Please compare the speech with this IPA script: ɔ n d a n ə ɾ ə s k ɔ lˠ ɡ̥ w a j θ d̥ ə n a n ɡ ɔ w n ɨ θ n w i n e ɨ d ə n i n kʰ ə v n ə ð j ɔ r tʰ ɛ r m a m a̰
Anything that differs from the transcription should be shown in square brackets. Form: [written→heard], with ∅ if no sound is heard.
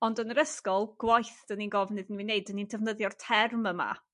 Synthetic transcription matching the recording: ɔ n d [a→ə] n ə ɾ ə s k ɔ lˠ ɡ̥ w a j θ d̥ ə n [a→i] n ɡ ɔ [w→v] n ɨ [θ→ð] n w i n e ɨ d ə n i n [kʰ→tʰ] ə v n ə ð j ɔ r tʰ ɛ r m [a→ə] m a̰